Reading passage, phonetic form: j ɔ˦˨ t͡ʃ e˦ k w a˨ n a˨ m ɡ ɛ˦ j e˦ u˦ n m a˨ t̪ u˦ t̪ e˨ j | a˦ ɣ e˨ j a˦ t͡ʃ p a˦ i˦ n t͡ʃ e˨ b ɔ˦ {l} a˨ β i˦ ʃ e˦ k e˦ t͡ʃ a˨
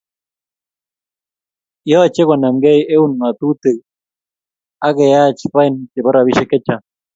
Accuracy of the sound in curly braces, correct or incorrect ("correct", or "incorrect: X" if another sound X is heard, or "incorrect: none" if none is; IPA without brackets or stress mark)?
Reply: incorrect: ɾ